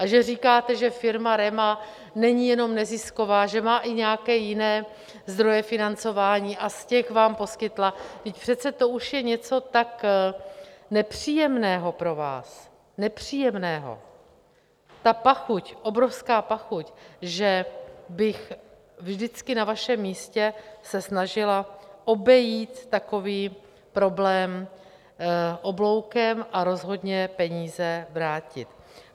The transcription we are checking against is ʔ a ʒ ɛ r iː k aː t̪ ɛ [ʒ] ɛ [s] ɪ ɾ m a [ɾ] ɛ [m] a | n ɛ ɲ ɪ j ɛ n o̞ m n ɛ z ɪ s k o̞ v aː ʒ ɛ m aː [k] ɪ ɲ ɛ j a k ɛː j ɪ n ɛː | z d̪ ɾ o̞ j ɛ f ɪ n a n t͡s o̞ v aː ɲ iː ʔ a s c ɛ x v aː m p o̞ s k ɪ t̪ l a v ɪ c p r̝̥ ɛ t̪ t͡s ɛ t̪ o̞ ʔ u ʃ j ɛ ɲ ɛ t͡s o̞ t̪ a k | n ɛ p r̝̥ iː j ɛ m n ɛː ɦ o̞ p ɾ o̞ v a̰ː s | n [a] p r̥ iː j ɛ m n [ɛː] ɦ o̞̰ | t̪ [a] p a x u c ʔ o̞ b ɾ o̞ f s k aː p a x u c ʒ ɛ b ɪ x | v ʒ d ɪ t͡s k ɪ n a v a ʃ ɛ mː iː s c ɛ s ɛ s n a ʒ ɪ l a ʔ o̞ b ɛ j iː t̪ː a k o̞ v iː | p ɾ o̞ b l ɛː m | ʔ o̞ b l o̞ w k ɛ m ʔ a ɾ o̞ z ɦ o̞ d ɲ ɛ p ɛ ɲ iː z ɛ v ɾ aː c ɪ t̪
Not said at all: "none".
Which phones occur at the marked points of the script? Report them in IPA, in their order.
ʒ, f, ɾ, m, ʔ, ɛ, ɛː, a

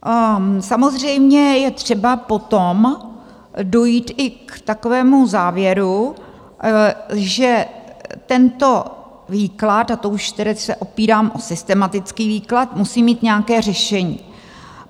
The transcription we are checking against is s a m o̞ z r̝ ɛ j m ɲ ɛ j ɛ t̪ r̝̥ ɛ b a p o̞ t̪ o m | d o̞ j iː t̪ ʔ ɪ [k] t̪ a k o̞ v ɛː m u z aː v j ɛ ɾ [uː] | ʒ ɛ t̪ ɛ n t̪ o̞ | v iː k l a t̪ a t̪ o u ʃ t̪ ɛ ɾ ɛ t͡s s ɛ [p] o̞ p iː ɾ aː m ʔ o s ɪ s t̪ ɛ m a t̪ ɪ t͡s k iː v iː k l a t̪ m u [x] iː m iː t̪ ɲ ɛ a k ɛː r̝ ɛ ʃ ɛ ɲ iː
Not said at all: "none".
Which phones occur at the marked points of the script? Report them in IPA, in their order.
k, u, ʔ, s

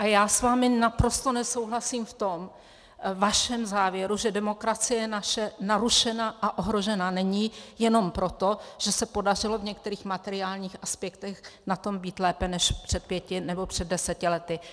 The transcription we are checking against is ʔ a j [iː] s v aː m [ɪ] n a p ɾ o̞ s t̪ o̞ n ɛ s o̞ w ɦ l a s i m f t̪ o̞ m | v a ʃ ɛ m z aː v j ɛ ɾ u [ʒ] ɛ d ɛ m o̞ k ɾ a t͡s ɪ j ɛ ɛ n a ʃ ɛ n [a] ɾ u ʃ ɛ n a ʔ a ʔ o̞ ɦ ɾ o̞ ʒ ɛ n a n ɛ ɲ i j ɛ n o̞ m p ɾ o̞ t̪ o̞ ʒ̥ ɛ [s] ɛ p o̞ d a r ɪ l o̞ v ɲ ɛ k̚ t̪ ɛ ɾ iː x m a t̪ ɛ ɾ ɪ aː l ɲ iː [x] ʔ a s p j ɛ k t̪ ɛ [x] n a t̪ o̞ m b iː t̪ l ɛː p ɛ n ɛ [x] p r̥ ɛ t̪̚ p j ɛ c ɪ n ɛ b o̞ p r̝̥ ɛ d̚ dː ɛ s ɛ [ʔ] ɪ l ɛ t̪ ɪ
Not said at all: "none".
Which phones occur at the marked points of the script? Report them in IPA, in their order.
aː, ɪ, ʒ, a, s, x, x, ʃ, c

